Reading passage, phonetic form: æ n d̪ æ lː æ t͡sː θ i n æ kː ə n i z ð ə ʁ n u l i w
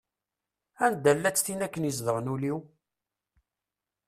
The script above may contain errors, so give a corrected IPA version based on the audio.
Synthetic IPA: æ n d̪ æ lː æ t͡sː θ i n æ kː ə n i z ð ə ʁ n u l i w